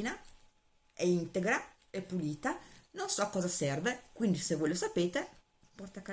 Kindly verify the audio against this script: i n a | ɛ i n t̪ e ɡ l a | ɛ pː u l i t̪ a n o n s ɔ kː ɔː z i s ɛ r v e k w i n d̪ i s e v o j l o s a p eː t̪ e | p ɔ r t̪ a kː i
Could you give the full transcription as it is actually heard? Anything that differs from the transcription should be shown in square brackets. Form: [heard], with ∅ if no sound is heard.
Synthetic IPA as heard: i n a | ɛ i n t̪ e ɡ [ɾ] a | ɛ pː u l [iː] t̪ a n o n s ɔ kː ɔː z [a] s ɛ r v e k w i n d̪ i s e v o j l o s a p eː t̪ e | p ɔ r t̪ a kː [a]